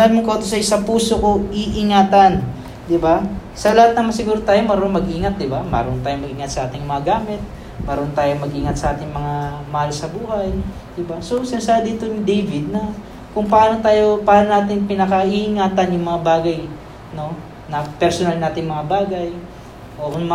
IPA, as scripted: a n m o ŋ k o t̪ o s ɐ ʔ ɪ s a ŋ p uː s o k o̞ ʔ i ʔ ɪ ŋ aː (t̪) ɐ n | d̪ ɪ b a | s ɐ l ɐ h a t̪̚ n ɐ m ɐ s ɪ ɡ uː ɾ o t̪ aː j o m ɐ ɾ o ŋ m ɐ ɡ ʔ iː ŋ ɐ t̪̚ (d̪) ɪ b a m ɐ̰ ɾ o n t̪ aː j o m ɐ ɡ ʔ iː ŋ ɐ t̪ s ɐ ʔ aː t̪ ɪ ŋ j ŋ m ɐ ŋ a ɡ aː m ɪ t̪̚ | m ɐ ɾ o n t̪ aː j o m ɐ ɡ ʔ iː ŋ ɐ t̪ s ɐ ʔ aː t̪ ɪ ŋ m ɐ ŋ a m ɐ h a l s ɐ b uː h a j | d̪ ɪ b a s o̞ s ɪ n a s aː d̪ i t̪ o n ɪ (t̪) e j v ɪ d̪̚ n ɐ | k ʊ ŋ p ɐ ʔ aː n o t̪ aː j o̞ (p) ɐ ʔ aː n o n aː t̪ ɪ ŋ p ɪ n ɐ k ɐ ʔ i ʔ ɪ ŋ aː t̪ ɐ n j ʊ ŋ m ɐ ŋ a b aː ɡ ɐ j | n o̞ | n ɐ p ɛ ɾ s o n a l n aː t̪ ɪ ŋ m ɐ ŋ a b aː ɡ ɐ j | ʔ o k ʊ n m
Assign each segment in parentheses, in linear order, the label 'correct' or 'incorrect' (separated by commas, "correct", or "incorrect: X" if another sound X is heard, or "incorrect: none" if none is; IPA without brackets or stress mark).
correct, correct, incorrect: d̪, correct